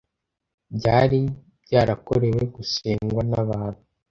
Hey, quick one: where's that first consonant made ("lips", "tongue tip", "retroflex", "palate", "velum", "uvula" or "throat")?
lips